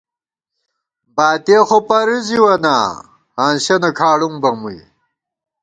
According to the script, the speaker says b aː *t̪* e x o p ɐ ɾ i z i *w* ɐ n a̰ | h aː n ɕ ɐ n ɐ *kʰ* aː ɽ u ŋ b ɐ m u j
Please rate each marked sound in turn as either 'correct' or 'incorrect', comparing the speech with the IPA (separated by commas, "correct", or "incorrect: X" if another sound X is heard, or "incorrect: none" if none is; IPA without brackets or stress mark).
correct, correct, correct